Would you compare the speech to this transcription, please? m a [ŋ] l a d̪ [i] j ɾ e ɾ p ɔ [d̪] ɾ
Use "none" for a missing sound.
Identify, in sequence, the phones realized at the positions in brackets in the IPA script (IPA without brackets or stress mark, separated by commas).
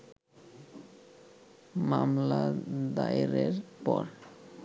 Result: m, a, none